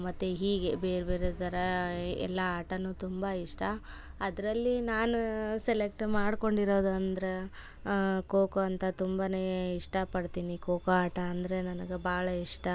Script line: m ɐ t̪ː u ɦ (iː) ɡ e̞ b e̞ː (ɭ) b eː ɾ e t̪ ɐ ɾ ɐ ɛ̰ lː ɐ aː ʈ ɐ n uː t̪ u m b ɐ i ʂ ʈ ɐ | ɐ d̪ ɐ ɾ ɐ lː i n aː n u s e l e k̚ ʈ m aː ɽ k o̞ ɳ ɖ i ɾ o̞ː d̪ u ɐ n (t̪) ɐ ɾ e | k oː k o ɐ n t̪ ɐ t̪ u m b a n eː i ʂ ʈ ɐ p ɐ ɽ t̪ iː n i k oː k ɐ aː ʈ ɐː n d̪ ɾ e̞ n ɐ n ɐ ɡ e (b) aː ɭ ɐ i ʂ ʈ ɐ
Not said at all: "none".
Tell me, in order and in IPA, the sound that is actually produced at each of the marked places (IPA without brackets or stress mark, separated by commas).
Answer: iː, ɾ, d̪, b